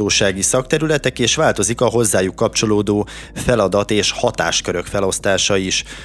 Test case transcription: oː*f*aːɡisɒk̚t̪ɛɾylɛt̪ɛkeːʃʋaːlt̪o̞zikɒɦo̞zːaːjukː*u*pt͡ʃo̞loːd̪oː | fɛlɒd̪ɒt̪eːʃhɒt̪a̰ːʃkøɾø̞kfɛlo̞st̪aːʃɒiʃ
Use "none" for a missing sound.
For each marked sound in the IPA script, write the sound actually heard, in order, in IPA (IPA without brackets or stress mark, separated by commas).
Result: ʃ, ɒ